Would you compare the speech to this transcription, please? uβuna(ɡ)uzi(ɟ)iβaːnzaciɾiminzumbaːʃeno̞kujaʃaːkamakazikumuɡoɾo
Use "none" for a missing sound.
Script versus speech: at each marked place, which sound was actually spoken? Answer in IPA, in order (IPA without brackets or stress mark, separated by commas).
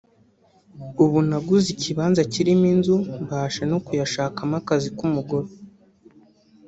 ɡ, c